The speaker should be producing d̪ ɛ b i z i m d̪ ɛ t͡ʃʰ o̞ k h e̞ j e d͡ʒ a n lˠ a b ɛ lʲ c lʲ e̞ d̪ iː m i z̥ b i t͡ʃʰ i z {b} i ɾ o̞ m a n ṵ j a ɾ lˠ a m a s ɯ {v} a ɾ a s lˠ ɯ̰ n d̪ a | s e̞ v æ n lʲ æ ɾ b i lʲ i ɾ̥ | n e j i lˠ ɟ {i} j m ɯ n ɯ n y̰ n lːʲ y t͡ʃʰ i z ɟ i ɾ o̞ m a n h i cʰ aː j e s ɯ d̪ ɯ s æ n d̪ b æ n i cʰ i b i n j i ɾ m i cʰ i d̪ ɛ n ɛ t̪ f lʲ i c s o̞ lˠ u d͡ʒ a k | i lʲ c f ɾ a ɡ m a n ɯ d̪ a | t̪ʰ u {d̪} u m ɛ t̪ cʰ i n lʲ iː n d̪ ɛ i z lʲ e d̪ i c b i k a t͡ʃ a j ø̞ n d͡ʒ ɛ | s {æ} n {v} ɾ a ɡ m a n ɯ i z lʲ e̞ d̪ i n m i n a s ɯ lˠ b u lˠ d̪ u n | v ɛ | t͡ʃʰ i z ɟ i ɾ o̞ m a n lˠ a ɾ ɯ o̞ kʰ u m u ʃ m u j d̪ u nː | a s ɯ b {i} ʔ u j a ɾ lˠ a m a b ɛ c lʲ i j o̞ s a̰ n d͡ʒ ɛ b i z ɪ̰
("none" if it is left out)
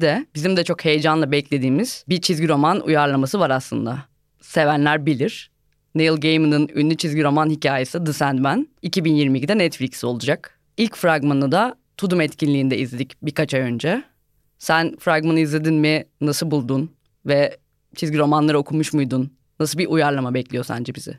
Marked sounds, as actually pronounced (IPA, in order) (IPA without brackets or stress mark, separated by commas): ɟ, v, e, d̪, æ, f, i